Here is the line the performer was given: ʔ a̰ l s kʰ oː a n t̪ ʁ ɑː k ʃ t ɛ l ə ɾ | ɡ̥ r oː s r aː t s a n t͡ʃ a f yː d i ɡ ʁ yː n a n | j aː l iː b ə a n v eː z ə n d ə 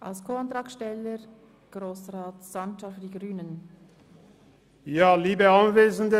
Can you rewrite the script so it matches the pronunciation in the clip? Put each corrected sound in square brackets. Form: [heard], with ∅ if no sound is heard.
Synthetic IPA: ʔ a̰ l s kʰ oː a n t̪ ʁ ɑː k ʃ t ɛ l ə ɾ | ɡ̥ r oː s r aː t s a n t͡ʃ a f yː d i ɡ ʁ yː n [ə] n | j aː l iː b ə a n v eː z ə n d ə